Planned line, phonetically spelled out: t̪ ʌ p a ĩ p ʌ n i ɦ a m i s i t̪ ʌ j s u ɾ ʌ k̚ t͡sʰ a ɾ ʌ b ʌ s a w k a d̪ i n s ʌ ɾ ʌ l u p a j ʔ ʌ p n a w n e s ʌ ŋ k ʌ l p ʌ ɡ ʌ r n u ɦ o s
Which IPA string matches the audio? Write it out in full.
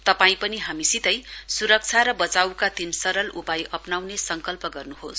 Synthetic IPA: t̪ ʌ p a ĩ p ʌ n i ɦ a m i s i t̪ ʌ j s u ɾ ʌ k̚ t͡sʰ a ɾ ʌ b ʌ t͡s a w k a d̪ i n s ʌ ɾ ʌ l u p a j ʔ ʌ p n a w n e s ʌ ŋ k ʌ l p ʌ ɡ ʌ r n u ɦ o s